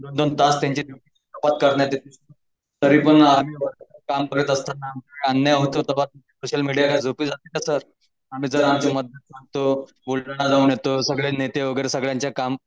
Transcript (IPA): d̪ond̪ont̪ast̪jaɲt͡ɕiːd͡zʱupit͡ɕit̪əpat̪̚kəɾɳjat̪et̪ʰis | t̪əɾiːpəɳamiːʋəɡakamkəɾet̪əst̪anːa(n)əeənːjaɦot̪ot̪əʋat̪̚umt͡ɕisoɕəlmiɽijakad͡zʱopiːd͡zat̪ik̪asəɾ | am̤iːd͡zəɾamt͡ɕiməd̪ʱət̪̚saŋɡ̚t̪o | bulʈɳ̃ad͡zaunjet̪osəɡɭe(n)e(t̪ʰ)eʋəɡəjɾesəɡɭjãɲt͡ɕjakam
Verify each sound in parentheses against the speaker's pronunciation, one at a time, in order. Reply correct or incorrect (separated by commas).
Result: incorrect, correct, incorrect